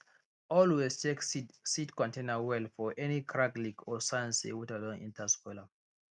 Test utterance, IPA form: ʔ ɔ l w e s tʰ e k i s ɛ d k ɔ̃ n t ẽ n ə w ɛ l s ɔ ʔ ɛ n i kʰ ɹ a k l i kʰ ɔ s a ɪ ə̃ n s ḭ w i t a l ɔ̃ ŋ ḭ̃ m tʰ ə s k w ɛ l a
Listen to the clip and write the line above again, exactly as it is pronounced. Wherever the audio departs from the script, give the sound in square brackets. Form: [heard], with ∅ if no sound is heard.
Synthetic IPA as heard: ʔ ɔ l w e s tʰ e k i s [i] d k ɔ̃ n t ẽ n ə w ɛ l [f] ɔ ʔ ɛ n i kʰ ɹ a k l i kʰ ɔ s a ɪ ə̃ n s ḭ w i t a l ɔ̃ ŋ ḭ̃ [n] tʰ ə s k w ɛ l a